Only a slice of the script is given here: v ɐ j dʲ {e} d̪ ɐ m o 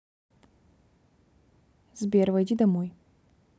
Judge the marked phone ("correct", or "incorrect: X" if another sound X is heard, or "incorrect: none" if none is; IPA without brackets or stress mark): incorrect: i